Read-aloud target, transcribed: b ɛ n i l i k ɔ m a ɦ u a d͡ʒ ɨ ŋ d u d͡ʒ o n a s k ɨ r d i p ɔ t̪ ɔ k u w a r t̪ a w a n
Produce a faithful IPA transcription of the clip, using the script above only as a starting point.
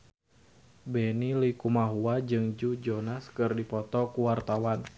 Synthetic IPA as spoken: b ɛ n i l i k u m a ɦ u a d͡ʒ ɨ ŋ d͡ʒ u d͡ʒ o n a s k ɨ r d i p ɔ t̪ ɔ k u w a r t̪ a w a n